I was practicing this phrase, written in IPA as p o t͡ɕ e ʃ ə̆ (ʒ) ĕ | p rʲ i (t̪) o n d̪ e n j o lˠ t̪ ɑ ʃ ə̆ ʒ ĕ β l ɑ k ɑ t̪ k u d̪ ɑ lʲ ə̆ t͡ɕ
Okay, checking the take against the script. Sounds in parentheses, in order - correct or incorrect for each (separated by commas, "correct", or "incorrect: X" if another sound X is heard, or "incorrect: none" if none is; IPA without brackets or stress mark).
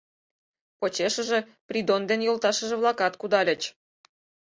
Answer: correct, incorrect: d̪